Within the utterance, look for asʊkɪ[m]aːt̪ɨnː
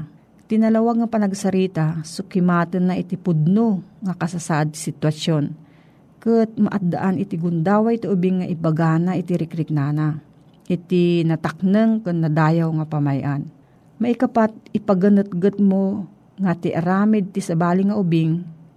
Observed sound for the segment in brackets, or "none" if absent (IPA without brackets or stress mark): m